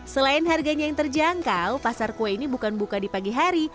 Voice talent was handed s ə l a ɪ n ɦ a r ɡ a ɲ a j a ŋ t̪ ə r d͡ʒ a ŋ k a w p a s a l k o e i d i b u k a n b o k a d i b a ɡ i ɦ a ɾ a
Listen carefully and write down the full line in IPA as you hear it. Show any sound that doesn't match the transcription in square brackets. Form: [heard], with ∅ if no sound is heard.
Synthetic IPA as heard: s ə l a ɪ n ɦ a r ɡ a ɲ a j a ŋ t̪ ə r d͡ʒ a ŋ k a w p a s a [r] k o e i [n] i b u k a n b [u] k a d i [p] a ɡ i ɦ a ɾ [i]